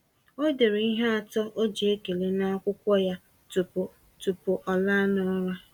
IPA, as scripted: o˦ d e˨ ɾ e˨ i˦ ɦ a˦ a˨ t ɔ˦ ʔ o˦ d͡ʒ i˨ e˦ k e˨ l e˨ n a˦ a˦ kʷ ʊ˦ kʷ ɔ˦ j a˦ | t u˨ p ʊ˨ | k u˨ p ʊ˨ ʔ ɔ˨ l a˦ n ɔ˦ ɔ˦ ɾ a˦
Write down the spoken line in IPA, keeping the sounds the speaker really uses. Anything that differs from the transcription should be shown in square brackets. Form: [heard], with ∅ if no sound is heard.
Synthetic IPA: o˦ d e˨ ɾ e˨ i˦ ɦ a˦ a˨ t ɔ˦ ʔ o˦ d͡ʒ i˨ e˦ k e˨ l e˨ n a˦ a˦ kʷ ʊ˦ kʷ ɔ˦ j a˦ | t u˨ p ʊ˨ | [t] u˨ p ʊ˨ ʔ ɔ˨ l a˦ n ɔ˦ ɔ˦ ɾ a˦

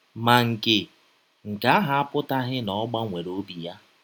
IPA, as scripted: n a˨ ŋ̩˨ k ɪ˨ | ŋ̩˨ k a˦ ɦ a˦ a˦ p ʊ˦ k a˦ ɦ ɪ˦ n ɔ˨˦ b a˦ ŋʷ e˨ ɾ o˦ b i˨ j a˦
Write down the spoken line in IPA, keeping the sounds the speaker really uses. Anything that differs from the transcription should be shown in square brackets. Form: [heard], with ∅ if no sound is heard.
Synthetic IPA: [m] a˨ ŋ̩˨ k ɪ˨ | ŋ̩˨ k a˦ ɦ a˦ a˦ p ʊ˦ [t] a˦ ɦ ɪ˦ n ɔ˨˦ [ɡ͡b] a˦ ŋʷ e˨ ɾ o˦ b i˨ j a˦

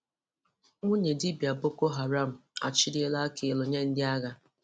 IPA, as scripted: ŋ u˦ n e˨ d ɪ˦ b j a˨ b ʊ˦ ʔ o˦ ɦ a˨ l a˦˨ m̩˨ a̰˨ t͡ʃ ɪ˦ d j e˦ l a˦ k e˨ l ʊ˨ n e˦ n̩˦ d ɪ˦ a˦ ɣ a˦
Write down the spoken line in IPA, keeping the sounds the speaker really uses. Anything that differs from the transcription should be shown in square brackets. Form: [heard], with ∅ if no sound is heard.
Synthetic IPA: ŋ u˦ [ɲ] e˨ d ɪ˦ b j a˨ b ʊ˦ [k] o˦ ɦ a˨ [ɾ] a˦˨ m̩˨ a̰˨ t͡ʃ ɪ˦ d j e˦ l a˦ k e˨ l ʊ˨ [ɲ] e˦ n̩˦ d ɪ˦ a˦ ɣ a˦

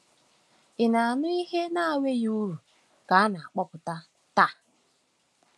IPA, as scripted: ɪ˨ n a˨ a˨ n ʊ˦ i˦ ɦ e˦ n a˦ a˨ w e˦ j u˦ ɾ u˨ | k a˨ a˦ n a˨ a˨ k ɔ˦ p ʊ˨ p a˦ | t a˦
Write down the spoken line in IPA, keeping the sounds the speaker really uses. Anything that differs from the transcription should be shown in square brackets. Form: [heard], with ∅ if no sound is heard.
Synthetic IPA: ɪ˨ n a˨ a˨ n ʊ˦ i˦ ɦ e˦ n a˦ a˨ w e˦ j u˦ ɾ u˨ | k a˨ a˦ n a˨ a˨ [k͡p] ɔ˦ p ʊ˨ [t] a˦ | t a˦

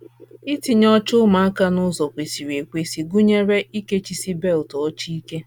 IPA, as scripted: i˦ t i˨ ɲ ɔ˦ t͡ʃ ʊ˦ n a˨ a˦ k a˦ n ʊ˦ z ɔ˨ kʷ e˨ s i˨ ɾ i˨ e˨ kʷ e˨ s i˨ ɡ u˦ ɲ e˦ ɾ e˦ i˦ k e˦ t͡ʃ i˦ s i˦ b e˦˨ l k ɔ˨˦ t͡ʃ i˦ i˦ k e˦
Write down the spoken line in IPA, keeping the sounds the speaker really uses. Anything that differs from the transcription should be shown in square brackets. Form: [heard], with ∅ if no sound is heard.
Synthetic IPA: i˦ t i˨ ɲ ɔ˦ t͡ʃ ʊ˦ [m] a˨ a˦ k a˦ n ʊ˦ z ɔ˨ kʷ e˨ s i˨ ɾ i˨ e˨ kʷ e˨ s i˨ ɡ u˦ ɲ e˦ ɾ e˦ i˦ k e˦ t͡ʃ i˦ s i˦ b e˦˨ l [t] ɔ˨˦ t͡ʃ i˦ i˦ k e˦

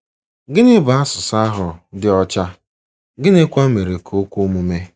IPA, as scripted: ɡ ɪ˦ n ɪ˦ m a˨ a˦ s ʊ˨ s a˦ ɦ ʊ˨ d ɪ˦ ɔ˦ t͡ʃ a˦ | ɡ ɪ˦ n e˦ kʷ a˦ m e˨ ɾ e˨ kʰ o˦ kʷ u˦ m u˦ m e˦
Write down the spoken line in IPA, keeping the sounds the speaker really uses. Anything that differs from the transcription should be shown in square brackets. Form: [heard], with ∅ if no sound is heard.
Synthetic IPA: ɡ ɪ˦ n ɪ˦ [b] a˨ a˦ s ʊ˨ s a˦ ɦ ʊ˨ d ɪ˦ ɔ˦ t͡ʃ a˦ | ɡ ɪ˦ n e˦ kʷ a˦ m e˨ ɾ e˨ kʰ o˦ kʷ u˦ m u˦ m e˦

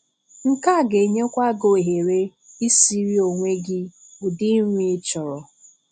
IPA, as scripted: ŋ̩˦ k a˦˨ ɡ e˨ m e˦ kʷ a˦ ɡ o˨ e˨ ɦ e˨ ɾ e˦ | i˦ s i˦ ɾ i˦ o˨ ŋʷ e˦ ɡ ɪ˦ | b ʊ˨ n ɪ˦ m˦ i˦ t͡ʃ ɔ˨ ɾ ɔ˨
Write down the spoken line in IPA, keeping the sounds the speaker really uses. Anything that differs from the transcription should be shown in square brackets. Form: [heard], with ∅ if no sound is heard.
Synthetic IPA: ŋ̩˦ k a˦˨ ɡ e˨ [ɲ] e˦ kʷ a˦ ɡ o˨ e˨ ɦ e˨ ɾ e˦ | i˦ s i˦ ɾ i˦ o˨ ŋʷ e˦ ɡ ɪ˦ | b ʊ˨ [d] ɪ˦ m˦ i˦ t͡ʃ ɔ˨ ɾ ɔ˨

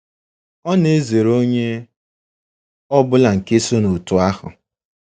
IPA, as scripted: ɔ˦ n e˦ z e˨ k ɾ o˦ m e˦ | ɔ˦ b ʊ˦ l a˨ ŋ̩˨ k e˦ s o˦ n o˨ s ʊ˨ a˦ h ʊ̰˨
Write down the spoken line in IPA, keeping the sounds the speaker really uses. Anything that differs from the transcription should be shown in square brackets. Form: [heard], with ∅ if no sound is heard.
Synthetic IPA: ɔ˦ n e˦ z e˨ [∅] ɾ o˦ [ɲ] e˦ | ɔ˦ b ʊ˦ l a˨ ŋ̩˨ k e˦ s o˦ n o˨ [t] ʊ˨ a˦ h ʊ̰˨

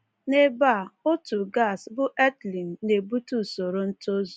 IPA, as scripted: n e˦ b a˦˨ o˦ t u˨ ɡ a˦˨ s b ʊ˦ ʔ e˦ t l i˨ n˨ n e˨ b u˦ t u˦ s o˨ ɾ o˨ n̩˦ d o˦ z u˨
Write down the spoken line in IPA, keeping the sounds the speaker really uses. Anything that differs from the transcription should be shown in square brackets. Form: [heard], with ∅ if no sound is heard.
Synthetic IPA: n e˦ b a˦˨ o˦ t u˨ ɡ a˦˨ s b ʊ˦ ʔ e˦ t l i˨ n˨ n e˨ b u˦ t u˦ s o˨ ɾ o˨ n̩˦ [t] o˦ z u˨

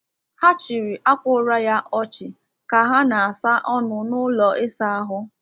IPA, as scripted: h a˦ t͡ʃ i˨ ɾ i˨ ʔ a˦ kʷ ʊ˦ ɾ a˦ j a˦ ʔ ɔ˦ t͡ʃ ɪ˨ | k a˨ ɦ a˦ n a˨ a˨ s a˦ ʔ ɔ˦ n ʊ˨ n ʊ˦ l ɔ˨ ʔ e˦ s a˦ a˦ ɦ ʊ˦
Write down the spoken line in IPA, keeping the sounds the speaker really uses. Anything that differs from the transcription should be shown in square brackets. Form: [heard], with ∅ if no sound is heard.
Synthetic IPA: h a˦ t͡ʃ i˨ ɾ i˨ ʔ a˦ kʷ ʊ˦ ɾ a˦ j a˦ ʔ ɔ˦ t͡ʃ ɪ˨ | k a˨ ɦ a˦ n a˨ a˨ s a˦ ʔ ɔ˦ n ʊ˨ n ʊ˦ l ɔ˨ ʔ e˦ s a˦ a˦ ɦ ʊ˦

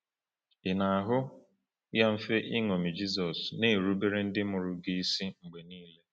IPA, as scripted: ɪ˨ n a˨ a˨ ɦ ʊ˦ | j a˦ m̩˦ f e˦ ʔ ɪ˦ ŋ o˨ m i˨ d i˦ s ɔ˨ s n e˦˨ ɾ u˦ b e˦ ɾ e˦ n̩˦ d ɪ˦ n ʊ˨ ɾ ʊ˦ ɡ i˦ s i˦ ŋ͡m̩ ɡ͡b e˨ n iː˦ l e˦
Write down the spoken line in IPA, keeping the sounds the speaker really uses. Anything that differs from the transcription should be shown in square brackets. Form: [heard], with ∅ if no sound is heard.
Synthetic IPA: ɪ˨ n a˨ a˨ ɦ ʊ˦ | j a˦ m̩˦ f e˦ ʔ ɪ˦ ŋ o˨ m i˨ [d͡ʒ] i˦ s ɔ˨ s n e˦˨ ɾ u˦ b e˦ ɾ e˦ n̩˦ d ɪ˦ [m] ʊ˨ ɾ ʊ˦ ɡ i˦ s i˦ ŋ͡m̩ ɡ͡b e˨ n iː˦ l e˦

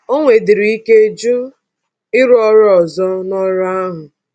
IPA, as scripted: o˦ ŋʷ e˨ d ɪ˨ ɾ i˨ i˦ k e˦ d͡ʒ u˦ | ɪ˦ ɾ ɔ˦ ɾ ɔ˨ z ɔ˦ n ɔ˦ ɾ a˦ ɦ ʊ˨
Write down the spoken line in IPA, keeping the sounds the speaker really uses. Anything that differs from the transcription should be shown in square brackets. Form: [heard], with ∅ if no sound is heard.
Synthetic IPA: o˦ ŋʷ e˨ d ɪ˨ ɾ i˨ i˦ k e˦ d͡ʒ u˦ | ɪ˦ ɾ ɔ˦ ɾ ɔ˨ z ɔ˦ n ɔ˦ ɾ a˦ ɦ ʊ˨

